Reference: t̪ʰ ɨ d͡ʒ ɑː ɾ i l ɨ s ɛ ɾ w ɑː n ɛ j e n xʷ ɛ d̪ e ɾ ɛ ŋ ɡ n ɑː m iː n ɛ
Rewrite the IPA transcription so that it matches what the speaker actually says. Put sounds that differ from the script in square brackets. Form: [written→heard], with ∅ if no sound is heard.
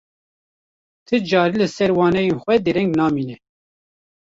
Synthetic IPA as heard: t̪ʰ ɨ d͡ʒ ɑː ɾ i l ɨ s ɛ ɾ w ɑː n ɛ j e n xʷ ɛ d̪ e ɾ ɛ ŋ ɡ n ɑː m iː n ɛ